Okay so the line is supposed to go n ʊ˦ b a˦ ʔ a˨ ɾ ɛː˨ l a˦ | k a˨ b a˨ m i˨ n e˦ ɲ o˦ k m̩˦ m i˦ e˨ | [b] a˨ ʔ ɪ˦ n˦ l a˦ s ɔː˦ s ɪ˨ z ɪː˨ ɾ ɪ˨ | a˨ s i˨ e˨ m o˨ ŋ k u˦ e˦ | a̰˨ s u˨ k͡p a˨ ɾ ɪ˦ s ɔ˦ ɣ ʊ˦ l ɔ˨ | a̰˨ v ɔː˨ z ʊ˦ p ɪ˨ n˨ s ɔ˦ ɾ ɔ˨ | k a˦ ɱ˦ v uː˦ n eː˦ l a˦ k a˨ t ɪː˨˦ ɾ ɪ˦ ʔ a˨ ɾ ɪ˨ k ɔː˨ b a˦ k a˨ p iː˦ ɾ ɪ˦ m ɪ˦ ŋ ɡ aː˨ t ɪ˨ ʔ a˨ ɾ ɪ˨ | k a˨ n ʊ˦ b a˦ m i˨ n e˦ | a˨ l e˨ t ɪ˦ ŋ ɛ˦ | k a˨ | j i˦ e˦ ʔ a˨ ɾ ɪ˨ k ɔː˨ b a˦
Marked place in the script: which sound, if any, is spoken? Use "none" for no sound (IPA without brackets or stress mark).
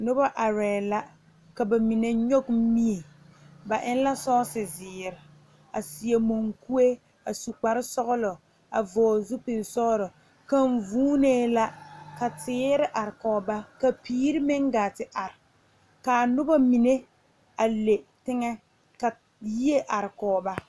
b